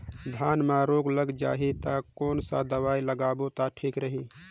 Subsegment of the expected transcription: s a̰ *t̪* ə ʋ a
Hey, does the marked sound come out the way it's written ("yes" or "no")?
no